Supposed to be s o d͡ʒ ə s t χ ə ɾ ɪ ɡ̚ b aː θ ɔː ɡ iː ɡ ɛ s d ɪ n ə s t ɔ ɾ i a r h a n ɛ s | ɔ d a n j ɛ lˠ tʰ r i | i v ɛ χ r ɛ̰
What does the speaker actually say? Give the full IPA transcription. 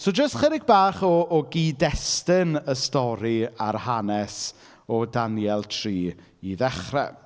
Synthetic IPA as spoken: s o d͡ʒ ə s t χ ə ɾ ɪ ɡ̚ b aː χ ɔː ɡ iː d ɛ s t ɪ n ə s t ɔ ɾ i a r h a n ɛ s | ɔ d a n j ɛ lˠ tʰ r iː | i ð ɛ χ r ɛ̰